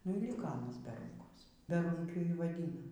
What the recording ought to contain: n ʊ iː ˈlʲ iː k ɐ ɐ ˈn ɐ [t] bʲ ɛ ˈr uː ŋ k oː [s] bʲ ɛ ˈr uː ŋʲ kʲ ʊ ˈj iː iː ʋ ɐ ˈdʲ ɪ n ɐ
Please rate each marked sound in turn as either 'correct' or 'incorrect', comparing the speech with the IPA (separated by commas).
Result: incorrect, correct